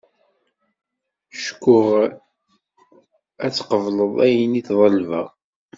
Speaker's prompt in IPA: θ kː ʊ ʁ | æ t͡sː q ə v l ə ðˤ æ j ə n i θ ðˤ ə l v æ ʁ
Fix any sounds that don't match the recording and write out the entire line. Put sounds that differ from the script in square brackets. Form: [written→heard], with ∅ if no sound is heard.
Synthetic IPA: [θ→ʃ] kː ʊ ʁ | æ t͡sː q ə v l ə ðˤ æ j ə n i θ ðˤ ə l v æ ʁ

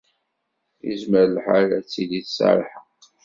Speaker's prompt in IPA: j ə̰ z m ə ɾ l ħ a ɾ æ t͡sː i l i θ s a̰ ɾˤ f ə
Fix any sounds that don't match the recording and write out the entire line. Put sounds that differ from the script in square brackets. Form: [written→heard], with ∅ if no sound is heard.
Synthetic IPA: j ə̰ z m ə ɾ l ħ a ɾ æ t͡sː i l i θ s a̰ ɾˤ [f→ħ] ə

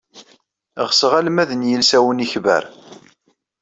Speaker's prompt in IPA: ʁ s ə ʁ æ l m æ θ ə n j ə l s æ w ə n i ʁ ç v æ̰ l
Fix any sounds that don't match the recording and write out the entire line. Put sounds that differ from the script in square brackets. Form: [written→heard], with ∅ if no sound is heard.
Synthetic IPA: ʁ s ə ʁ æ l m æ [θ→ð] ə n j ə l s æ w ə n i [ʁ→∅] ç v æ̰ [l→ɾ]

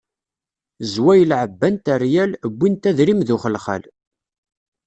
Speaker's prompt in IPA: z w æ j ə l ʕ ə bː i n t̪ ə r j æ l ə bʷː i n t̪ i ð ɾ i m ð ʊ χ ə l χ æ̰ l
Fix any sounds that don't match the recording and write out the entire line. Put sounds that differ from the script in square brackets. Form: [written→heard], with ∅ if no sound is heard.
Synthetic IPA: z w æ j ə l ʕ ə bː [i→æ] n t̪ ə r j æ l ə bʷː i n t̪ [i→æ] ð ɾ i m ð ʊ χ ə l χ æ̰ l

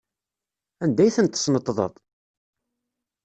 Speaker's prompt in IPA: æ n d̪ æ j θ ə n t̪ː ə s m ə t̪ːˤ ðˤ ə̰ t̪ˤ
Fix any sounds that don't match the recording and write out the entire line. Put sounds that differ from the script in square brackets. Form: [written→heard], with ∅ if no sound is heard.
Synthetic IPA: æ n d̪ æ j θ ə n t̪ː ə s [m→n] ə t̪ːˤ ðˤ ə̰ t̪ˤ

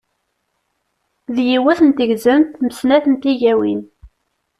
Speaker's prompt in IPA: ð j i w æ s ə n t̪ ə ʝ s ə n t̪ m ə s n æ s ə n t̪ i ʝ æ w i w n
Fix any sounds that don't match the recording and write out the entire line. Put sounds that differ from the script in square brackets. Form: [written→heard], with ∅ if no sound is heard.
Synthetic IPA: ð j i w æ [s→θ] ə n t̪ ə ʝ [s→z] ə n t̪ m ə s n æ [s→θ] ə n t̪ i ʝ æ w i [w→∅] n

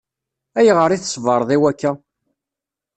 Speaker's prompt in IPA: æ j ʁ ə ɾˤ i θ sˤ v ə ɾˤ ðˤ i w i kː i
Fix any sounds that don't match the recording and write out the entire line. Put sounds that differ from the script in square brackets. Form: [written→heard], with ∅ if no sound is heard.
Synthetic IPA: æ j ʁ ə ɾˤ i θ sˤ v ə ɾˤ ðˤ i w [i→æ] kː [i→æ]

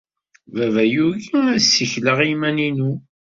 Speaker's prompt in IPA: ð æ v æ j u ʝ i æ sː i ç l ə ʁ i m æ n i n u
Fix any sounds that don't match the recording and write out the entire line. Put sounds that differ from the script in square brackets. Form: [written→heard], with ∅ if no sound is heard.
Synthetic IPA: [ð→v] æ v æ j u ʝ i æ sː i ç l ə ʁ i m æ n i n u

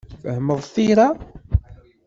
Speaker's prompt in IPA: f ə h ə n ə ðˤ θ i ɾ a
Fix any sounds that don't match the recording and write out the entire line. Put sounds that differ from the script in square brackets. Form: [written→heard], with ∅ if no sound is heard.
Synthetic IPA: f ə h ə [n→m] ə ðˤ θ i ɾ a

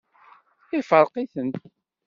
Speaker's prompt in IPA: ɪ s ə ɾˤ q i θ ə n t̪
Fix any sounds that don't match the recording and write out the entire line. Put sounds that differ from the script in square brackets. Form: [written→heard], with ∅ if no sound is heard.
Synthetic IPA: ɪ [s→f] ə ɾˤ q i θ ə n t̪

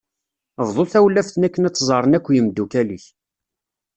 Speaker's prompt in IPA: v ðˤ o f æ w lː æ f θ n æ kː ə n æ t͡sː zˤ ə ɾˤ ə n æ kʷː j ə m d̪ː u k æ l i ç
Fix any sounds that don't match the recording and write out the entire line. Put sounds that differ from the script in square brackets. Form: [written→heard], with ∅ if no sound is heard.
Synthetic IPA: v ðˤ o [f→θ] æ w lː æ f θ n æ kː ə n æ t͡sː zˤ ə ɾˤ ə n æ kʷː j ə m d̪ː u k æ l i ç

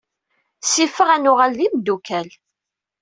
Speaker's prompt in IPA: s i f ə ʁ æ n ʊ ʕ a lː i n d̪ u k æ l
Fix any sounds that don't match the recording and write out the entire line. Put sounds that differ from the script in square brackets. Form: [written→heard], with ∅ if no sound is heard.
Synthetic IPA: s i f ə ʁ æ n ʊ [ʕ→ʁ] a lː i [n→m] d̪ u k æ l

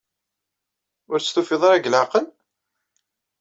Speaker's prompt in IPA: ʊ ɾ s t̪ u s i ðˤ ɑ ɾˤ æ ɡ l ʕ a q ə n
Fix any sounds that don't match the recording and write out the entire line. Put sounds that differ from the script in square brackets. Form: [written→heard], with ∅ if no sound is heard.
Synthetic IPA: ʊ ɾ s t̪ u [s→f] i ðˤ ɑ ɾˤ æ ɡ l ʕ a q ə n

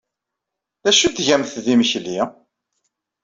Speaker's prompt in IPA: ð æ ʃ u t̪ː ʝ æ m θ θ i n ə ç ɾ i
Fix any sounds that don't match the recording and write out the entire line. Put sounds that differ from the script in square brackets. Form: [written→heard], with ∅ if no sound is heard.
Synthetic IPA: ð æ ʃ u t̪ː ʝ æ m θ [θ→ð] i [n→m] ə ç [ɾ→l] i

